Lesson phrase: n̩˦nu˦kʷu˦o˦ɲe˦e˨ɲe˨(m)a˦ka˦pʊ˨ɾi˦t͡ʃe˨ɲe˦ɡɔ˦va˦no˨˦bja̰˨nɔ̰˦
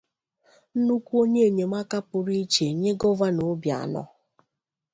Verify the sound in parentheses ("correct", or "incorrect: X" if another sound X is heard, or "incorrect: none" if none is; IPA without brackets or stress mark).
correct